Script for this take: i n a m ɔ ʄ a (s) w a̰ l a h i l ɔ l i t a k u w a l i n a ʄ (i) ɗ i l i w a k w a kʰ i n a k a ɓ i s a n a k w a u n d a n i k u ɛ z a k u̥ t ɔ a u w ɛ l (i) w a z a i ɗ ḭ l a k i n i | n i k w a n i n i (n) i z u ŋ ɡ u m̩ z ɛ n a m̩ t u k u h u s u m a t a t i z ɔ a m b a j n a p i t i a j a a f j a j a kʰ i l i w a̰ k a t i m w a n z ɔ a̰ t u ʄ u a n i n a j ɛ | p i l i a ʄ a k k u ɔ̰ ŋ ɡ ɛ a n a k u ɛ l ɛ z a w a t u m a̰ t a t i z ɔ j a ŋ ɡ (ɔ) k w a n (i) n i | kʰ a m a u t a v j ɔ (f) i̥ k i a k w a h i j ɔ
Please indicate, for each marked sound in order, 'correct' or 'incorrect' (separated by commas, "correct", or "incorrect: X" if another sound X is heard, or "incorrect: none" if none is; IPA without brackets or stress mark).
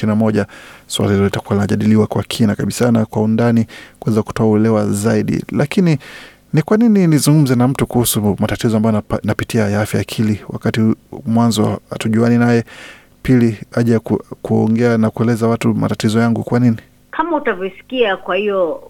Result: correct, incorrect: a, incorrect: ɛ, correct, incorrect: u, correct, incorrect: s